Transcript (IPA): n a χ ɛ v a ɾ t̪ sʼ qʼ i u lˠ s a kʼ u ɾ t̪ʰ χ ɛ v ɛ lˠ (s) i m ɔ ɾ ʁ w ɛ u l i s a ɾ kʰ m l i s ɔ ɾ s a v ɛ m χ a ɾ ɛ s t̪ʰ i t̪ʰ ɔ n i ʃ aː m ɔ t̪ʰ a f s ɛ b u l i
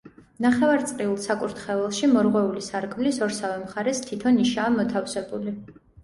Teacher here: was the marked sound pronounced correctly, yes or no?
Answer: no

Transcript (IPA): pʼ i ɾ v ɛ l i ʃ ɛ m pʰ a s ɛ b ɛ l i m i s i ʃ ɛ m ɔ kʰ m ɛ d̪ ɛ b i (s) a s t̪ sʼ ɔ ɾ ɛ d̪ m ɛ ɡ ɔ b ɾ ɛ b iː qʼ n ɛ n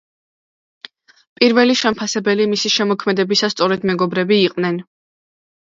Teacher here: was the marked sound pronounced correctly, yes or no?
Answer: yes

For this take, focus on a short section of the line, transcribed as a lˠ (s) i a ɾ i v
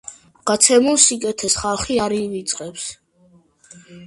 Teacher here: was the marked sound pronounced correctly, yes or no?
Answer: no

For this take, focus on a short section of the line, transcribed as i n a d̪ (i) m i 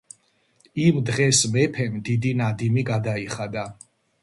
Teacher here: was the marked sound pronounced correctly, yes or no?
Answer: yes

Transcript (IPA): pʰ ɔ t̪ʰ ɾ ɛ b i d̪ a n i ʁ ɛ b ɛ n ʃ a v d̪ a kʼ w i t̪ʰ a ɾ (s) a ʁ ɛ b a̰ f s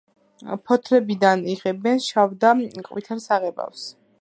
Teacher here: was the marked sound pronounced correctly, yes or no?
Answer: yes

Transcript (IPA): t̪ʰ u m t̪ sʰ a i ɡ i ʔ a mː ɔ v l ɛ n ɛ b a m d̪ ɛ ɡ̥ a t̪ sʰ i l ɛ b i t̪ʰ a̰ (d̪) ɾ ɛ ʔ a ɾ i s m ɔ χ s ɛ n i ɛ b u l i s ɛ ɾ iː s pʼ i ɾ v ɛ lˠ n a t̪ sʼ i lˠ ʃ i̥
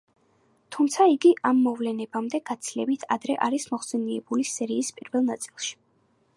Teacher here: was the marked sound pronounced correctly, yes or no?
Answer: yes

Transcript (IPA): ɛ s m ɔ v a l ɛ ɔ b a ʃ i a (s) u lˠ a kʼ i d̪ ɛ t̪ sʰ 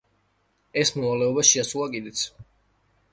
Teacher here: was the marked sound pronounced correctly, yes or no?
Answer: yes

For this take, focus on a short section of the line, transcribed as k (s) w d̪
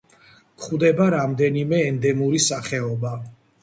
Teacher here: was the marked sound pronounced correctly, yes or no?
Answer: no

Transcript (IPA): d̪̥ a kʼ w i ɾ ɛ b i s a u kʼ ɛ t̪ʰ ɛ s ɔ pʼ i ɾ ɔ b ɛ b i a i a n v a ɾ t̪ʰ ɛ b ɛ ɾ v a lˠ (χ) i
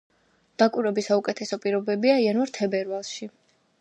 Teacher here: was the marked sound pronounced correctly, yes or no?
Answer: no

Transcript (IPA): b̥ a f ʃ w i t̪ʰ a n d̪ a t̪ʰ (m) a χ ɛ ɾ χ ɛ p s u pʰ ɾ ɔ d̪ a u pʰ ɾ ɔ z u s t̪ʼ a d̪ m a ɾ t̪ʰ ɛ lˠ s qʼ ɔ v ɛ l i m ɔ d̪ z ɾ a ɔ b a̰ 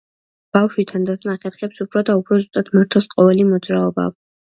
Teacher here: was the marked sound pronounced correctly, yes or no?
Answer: no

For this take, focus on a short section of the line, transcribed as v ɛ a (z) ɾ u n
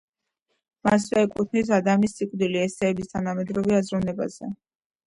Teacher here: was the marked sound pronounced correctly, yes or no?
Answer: yes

